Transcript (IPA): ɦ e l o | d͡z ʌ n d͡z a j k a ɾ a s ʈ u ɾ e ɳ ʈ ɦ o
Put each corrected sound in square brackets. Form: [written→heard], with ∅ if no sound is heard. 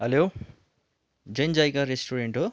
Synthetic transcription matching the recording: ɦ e l o | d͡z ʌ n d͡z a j k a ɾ [a→e] s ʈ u ɾ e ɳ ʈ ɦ o

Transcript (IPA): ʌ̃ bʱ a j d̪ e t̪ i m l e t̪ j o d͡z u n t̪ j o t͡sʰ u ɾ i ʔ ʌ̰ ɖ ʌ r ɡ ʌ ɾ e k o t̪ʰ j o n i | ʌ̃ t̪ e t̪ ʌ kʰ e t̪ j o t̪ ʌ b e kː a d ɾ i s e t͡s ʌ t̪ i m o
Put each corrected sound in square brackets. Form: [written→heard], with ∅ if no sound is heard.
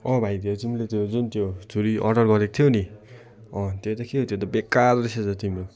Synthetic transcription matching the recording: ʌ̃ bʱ a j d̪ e t̪ i m l e t̪ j o d͡z u n t̪ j o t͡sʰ u ɾ i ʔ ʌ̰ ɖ ʌ r ɡ ʌ ɾ e k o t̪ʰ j o n i | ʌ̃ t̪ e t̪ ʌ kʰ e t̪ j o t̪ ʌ b e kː a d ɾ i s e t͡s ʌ t̪ i m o

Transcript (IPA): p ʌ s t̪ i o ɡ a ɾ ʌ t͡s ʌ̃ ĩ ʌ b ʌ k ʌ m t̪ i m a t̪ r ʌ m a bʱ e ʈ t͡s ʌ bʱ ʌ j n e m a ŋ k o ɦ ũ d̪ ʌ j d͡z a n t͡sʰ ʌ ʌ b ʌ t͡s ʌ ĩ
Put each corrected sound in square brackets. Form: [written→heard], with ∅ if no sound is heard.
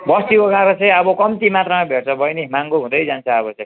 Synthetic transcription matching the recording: [p→b] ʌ s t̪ i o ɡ a ɾ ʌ t͡s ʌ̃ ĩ ʌ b ʌ k ʌ m t̪ i m a t̪ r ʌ m a bʱ e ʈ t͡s ʌ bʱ ʌ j n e m a ŋ [k→ɡ] o ɦ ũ d̪ ʌ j d͡z a n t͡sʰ ʌ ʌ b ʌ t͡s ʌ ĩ

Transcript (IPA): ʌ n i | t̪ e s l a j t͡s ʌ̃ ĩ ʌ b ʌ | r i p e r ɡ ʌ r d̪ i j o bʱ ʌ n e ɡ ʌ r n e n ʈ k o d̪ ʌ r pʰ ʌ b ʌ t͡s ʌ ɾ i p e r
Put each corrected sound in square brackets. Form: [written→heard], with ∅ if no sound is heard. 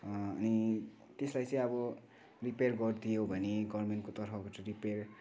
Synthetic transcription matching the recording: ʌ n i | t̪ e s l a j t͡s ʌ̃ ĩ ʌ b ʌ | r i p e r ɡ ʌ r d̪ i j o bʱ ʌ n e ɡ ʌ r [n→m] e n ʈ k o [d̪→t̪] ʌ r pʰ ʌ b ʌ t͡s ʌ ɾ i p e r

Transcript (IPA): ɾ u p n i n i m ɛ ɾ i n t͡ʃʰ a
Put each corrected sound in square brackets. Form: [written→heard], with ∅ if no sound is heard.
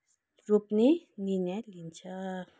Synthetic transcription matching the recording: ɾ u p n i n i [m→n] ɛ [ɾ→l] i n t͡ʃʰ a

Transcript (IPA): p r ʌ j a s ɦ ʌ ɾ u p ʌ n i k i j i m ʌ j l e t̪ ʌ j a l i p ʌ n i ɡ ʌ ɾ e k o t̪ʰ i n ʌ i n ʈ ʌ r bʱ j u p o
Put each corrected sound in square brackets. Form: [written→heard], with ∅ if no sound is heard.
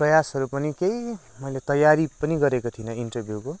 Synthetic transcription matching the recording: p r ʌ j a s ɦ ʌ ɾ u p ʌ n i k [i→e] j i m ʌ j l e t̪ ʌ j a [l→ɾ] i p ʌ n i ɡ ʌ ɾ e k o t̪ʰ i n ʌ i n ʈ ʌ r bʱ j u [p→k] o

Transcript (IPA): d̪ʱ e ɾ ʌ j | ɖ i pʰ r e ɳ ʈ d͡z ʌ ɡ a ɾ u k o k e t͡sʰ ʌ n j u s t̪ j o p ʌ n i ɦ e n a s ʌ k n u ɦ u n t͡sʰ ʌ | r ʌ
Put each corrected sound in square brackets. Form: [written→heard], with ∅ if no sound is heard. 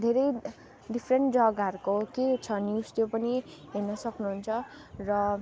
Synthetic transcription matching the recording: d̪ʱ e ɾ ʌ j | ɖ i pʰ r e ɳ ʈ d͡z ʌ ɡ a ɾ u k o k e t͡sʰ ʌ n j u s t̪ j o p ʌ n i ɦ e n [a→ʌ] s ʌ k n u ɦ u n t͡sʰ ʌ | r ʌ

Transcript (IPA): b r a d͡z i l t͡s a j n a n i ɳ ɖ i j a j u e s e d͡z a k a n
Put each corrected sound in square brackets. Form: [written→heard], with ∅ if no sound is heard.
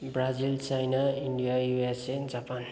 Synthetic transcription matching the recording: b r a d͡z i l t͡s a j n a [n→∅] i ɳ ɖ i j a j u e s e d͡z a [k→p] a n

